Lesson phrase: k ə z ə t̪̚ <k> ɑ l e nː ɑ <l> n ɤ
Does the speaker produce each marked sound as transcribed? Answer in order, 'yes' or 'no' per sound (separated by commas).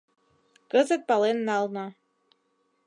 no, yes